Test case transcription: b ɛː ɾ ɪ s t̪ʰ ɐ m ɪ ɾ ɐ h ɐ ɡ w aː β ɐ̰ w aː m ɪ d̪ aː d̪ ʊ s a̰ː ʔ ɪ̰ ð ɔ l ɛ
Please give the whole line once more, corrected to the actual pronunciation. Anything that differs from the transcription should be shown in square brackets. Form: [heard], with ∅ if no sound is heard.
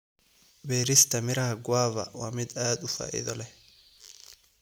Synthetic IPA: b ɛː ɾ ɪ s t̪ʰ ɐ m ɪ ɾ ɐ h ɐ ɡ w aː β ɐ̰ w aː m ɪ d̪ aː d̪ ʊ [f] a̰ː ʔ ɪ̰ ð ɔ l ɛ

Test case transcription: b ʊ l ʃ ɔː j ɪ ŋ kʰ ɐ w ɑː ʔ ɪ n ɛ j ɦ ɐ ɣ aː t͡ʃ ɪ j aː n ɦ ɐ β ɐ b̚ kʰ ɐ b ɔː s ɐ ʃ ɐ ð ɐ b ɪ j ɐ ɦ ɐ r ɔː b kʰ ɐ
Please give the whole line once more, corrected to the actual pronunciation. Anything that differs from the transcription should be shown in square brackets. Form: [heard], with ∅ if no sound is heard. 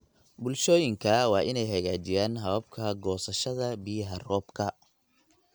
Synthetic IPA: b ʊ l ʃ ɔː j ɪ ŋ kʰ ɐ w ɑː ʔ ɪ n ɛ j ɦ ɐ ɣ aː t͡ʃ ɪ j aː n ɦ ɐ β ɐ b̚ kʰ ɐ [ɡ] ɔː s ɐ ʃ ɐ ð ɐ b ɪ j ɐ ɦ ɐ r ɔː b kʰ ɐ

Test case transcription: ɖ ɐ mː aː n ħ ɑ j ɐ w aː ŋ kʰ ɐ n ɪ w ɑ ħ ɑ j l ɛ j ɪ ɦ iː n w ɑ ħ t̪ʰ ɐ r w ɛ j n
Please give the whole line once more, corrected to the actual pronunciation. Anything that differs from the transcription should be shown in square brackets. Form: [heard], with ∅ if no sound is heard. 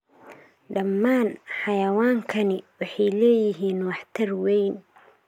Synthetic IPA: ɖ ɐ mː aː n ħ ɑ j ɐ w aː ŋ kʰ ɐ n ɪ w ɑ ħ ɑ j l [ɛː] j ɪ ɦ iː n w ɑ ħ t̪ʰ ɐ r w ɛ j n

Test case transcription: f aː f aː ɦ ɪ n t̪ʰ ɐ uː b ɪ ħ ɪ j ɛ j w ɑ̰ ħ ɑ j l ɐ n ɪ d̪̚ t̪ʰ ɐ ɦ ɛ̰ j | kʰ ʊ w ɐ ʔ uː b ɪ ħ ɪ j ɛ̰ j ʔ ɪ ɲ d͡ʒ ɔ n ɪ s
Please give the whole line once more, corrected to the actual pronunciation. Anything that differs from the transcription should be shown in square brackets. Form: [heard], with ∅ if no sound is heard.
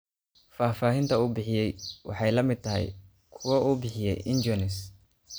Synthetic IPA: f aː f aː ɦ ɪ n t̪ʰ ɐ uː b ɪ ħ ɪ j ɛ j w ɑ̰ ħ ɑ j l ɐ [m] ɪ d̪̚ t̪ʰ ɐ ɦ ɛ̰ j | kʰ ʊ w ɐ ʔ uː b ɪ ħ ɪ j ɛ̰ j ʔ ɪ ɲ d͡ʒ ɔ n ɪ s

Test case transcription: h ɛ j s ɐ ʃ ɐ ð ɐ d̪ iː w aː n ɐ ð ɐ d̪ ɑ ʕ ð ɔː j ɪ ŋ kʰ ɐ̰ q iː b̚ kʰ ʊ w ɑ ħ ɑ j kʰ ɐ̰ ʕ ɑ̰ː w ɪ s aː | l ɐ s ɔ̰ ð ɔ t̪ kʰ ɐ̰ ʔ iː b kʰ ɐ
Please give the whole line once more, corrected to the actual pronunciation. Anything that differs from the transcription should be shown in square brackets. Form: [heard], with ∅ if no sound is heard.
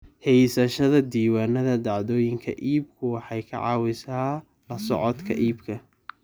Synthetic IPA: h ɛ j s ɐ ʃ ɐ ð ɐ d̪ iː w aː n ɐ ð ɐ d̪ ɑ ʕ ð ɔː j ɪ ŋ kʰ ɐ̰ [ʔ] iː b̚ kʰ ʊ w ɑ ħ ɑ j kʰ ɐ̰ ʕ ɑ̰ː w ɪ s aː | l ɐ s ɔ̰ [ʕ] ɔ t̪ kʰ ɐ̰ ʔ iː b kʰ ɐ

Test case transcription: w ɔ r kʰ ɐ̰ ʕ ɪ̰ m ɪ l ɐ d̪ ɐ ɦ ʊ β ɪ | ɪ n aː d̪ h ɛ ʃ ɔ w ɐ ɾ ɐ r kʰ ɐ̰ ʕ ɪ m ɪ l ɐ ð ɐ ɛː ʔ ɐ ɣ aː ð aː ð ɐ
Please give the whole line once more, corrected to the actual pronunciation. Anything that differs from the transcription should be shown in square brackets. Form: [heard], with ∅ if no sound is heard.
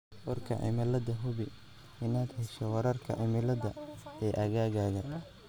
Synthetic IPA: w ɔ r kʰ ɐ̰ ʕ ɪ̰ m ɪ l ɐ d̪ ɐ ɦ ʊ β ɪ | ɪ n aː d̪ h ɛ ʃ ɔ w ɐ ɾ ɐ r kʰ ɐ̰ ʕ ɪ m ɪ l ɐ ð ɐ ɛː ʔ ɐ ɣ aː [ɣ] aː [ɣ] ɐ

